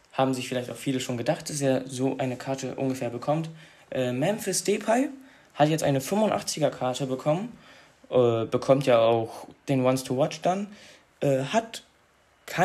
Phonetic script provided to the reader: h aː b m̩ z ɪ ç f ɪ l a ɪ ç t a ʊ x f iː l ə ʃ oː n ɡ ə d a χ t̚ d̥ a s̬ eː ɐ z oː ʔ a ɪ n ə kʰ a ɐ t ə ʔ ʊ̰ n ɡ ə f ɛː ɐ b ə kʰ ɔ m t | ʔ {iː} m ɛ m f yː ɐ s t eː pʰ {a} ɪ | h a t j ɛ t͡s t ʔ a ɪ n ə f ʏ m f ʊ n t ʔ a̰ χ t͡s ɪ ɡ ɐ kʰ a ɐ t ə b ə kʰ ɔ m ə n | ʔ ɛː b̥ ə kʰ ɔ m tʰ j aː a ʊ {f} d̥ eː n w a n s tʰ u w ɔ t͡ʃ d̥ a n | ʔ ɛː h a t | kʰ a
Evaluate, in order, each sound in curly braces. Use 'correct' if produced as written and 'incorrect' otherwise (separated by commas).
incorrect, correct, incorrect